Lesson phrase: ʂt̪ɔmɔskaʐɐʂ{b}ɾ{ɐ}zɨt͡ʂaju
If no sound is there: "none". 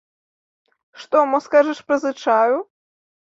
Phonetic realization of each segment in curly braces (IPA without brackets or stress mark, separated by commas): p, ɐ